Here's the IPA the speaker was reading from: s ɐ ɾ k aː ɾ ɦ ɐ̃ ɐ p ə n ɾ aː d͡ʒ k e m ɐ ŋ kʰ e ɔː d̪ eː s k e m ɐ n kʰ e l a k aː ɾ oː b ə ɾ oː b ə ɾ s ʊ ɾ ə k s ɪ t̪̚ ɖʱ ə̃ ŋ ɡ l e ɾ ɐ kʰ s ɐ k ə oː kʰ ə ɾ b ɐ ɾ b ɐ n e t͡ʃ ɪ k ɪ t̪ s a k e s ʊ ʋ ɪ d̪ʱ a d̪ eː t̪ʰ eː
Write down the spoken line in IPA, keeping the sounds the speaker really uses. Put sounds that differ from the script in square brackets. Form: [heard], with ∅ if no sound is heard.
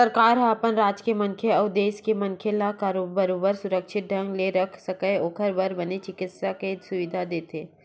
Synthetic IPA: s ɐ ɾ k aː ɾ ɦ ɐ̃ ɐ p ə n ɾ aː d͡ʒ k e m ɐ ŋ kʰ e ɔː d̪ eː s k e m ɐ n kʰ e l a k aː ɾ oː b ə ɾ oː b ə ɾ s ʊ ɾ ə k [ʃ] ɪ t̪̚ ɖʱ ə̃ ŋ ɡ l e ɾ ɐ kʰ s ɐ k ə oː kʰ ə ɾ b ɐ ɾ b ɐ n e t͡ʃ ɪ k ɪ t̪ s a k e s ʊ ʋ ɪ d̪ʱ a d̪ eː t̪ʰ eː